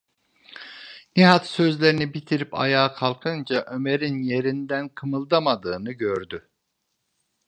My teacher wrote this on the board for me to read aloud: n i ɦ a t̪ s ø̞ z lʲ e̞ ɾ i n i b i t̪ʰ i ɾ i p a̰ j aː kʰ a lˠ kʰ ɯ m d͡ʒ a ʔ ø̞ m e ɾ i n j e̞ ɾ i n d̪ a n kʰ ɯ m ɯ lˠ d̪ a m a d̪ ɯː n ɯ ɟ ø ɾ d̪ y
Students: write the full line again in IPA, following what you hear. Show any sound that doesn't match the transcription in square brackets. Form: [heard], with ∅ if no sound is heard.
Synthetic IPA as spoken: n i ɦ a t̪ s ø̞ z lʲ e̞ ɾ i n i b i t̪ʰ i ɾ i p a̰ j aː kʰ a lˠ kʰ ɯ [n] d͡ʒ a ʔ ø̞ m e ɾ i n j e̞ ɾ i n d̪ [æ] n kʰ ɯ m ɯ lˠ d̪ a m a d̪ ɯː n ɯ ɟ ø ɾ d̪ y